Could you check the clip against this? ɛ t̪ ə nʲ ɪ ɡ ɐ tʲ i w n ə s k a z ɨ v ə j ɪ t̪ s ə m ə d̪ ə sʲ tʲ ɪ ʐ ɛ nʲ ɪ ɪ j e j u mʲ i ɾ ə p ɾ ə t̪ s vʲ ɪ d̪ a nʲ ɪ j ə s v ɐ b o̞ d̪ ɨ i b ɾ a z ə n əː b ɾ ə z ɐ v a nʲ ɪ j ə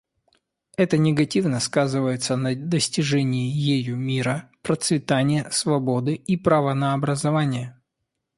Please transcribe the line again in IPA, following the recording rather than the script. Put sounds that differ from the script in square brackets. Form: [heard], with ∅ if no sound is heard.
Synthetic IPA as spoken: ɛ t̪ ə nʲ ɪ ɡ ɐ tʲ i [v] n ə s k a z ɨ v ə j ɪ t̪ s ə [n] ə d̪ ə sʲ tʲ ɪ ʐ ɛ nʲ ɪ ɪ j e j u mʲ i ɾ ə p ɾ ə t̪ s vʲ ɪ [t̪] a nʲ ɪ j ə s v ɐ b o̞ d̪ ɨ i [p] ɾ a [v] ə n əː b ɾ ə z ɐ v a nʲ ɪ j ə